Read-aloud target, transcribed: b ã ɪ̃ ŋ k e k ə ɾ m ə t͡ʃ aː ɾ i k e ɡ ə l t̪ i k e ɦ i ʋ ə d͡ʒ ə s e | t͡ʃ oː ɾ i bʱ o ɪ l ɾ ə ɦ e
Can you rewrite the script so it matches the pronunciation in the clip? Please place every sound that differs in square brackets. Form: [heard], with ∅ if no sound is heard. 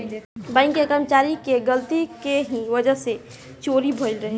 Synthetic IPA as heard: b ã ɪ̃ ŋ k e k ə ɾ m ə t͡ʃ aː ɾ i k e ɡ ə l t̪ i k e ɦ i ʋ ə d͡ʒ ə s e | t͡ʃ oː ɾ i bʱ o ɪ l ɾ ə ɦ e